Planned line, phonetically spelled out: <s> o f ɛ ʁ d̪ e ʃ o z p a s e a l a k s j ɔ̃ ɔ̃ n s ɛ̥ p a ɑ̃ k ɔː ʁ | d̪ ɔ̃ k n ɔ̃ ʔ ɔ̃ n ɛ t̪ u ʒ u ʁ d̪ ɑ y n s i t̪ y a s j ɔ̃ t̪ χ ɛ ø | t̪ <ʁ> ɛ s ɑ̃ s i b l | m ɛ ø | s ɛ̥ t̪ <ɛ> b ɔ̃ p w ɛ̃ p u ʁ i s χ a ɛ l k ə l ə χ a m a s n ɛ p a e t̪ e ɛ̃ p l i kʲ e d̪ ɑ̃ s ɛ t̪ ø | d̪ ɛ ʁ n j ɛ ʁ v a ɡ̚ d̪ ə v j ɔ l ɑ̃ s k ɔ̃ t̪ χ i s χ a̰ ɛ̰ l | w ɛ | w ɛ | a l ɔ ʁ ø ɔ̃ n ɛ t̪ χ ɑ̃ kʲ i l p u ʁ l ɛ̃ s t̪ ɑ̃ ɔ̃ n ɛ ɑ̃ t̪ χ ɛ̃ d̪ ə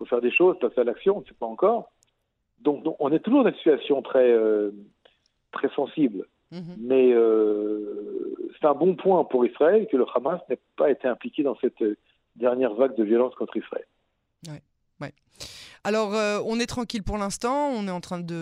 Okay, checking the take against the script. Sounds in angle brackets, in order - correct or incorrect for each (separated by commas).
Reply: incorrect, incorrect, incorrect